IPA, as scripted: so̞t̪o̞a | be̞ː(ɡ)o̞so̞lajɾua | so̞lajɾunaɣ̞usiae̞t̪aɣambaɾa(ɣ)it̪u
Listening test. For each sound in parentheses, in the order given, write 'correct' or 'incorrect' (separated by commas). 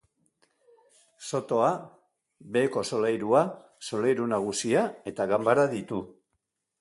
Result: incorrect, incorrect